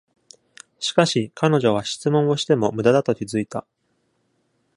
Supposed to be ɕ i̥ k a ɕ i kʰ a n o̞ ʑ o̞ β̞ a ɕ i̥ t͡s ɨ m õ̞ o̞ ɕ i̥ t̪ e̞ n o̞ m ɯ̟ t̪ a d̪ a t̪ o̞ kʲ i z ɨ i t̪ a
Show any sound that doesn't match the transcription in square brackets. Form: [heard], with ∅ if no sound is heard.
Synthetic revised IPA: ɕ i̥ k a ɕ i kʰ a n o̞ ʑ o̞ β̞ a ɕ i̥ t͡s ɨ m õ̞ o̞ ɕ i̥ t̪ e̞ [m] o̞ m ɯ̟ [d̪] a d̪ a t̪ o̞ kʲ i z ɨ i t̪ a